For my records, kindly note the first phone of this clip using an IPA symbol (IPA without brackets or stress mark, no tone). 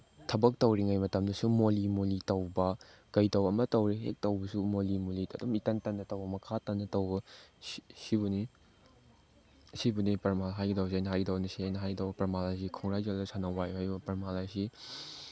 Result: tʰ